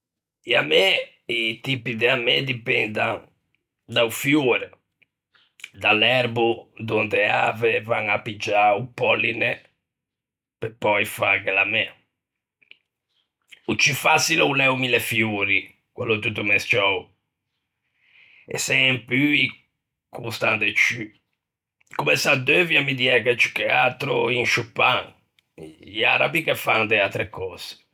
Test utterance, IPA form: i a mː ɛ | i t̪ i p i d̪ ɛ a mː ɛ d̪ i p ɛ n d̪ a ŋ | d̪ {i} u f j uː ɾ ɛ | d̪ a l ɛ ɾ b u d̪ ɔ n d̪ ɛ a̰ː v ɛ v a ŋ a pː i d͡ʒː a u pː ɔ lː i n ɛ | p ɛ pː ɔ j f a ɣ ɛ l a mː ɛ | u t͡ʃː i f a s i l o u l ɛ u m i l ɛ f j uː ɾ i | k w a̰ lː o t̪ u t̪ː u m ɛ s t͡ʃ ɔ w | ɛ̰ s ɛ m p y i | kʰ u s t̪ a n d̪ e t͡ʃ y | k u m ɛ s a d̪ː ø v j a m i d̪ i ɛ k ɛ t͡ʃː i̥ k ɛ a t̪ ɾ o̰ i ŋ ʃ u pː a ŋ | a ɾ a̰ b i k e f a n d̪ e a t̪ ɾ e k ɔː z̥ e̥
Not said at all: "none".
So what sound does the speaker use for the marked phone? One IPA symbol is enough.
a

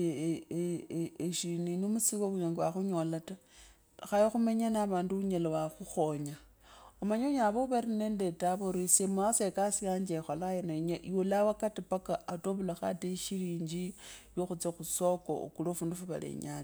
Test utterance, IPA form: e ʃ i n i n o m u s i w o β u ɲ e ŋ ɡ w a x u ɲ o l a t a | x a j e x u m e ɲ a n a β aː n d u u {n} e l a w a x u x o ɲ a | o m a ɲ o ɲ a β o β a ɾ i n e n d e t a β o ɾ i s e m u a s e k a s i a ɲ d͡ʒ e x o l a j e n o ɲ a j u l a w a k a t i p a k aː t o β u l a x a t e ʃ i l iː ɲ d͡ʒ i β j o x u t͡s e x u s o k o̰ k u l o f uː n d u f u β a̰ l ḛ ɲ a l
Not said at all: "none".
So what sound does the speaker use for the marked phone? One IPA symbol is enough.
ɲ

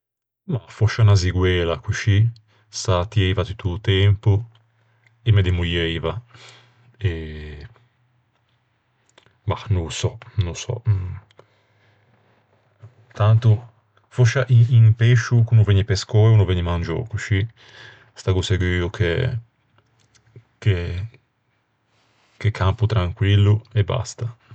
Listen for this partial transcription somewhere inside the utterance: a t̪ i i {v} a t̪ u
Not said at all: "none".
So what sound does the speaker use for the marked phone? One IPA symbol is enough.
v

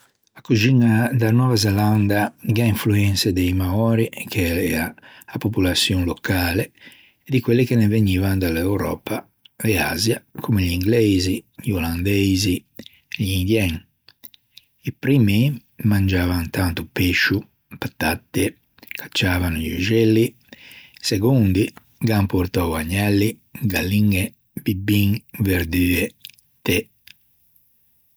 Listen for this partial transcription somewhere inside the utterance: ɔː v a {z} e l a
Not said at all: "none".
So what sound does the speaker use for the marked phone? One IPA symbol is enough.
z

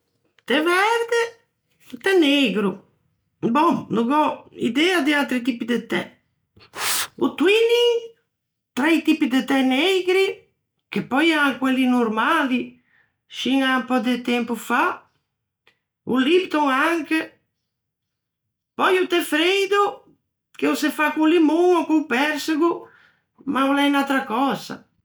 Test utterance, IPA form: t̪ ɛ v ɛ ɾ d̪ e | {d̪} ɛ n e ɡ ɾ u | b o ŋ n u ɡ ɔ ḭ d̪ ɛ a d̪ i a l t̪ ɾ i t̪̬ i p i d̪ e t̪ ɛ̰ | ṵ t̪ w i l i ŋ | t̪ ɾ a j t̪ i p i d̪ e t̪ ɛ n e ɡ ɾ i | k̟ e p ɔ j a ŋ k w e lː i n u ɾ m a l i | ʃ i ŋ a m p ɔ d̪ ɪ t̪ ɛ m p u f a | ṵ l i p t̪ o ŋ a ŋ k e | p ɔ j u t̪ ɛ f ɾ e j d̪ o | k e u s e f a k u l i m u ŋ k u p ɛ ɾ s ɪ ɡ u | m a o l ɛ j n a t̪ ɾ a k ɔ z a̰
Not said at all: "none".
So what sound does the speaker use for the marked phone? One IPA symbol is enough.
t̪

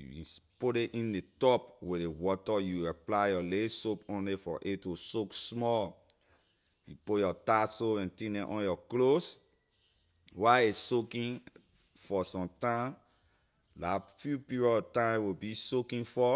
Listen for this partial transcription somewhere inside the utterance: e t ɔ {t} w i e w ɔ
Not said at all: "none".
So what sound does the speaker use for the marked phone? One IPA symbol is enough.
p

